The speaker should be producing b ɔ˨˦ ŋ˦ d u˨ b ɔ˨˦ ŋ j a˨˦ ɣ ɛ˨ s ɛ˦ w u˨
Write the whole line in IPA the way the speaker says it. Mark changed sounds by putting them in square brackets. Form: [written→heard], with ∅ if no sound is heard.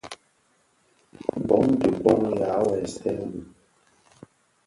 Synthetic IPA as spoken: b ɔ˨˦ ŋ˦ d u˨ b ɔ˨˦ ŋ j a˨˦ [ɣ→w] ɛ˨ s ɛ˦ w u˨